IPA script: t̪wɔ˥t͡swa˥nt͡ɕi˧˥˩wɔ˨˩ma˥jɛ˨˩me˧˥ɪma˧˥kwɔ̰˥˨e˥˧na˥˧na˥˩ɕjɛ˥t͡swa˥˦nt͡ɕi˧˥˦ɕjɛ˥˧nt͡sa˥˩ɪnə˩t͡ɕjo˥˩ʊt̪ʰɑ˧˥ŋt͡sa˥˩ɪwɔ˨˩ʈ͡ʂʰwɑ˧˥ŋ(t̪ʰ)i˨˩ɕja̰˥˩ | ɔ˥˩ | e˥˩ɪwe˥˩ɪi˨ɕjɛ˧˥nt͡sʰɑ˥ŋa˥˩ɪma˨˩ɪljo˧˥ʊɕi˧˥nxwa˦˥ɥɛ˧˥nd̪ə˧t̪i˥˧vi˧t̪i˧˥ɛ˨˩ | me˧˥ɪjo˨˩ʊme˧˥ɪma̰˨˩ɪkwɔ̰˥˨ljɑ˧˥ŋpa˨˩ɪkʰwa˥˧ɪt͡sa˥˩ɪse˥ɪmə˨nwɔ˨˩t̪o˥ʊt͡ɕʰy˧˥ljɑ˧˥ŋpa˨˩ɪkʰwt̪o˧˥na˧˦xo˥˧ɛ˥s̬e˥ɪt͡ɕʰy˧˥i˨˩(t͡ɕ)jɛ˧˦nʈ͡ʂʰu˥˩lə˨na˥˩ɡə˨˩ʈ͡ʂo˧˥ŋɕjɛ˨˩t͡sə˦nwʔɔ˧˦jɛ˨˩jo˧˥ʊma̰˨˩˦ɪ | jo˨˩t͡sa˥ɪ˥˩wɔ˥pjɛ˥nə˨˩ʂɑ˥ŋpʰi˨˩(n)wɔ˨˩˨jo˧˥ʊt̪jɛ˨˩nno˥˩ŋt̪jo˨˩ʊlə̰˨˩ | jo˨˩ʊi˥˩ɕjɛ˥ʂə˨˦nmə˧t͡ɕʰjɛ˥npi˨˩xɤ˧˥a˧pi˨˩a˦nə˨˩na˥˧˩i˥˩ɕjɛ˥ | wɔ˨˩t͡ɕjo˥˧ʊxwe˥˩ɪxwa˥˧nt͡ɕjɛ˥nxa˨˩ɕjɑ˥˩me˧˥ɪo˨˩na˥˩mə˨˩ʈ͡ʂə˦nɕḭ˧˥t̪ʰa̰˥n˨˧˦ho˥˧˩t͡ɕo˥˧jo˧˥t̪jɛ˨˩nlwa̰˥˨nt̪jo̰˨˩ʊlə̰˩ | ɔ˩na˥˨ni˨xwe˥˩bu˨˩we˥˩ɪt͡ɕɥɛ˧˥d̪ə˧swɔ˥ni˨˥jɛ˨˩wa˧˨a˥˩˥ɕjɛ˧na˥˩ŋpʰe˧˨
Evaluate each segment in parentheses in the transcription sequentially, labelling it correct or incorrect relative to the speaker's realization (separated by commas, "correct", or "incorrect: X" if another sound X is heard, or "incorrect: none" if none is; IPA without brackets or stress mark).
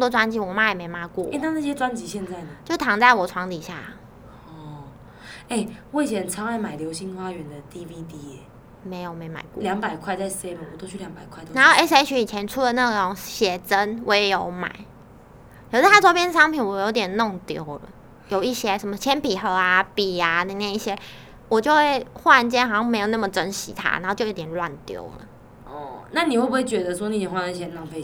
incorrect: t̪, incorrect: t͡ɕʰ, correct